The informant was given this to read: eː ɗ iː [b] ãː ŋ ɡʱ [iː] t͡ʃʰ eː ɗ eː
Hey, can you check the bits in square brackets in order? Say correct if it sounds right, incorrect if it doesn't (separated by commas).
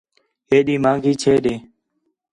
incorrect, correct